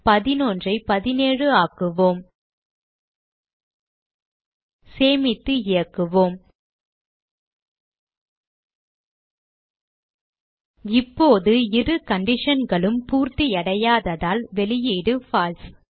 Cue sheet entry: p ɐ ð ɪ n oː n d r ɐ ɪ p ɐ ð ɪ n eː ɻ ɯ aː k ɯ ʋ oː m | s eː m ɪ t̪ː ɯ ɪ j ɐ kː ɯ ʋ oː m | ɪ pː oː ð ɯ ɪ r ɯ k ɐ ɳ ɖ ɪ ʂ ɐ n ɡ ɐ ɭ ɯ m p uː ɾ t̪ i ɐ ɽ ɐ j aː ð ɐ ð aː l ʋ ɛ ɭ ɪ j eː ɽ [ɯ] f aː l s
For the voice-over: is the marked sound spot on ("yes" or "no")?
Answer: yes